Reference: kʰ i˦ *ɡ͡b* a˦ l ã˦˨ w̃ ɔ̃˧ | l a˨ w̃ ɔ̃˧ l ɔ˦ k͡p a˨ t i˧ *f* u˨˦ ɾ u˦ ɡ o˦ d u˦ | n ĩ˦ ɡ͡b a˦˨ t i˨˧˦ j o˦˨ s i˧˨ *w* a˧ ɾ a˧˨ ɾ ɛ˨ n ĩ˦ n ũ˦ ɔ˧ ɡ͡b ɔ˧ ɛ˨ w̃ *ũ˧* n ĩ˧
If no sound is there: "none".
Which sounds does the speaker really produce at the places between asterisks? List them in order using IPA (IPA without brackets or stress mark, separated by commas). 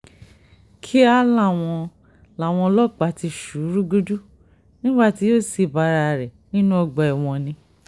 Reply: none, ʃ, b, ɔ̃˧